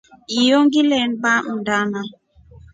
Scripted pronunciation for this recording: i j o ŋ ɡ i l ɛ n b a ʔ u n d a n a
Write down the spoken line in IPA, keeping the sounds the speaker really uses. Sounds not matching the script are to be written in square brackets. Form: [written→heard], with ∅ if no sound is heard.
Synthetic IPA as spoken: i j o ŋ ɡ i l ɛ n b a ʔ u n d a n a